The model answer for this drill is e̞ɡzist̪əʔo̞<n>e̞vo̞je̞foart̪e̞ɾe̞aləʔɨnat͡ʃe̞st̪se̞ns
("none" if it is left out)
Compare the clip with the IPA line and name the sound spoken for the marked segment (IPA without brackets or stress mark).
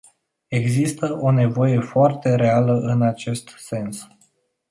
n